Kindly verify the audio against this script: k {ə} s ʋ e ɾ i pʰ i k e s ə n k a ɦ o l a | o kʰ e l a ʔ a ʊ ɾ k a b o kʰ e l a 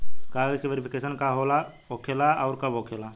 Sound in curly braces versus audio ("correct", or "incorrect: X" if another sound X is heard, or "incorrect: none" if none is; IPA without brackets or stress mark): incorrect: a